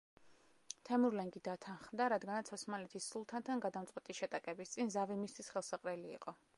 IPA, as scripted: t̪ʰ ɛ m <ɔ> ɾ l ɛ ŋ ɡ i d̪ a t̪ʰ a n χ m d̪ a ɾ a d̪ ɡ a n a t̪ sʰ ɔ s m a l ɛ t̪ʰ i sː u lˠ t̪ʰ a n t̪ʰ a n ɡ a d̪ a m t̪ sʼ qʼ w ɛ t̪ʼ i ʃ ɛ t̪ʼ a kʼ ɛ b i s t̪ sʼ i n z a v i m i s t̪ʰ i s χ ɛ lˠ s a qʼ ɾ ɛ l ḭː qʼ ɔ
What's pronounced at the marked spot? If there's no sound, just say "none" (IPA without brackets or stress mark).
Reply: u